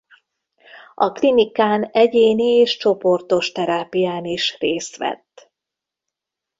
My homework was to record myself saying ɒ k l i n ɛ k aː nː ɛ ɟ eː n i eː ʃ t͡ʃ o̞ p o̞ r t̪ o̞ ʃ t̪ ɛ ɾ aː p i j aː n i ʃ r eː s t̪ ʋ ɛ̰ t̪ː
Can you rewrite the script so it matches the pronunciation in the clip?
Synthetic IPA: ɒ k l i n i k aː n ɛ ɟ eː n i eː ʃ t͡ʃ o̞ p o̞ r t̪ o̞ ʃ t̪ ɛ ɾ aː p i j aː n i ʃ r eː s t̪ ʋ ɛ̰ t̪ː